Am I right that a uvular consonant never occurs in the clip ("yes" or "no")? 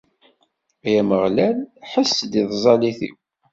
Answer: no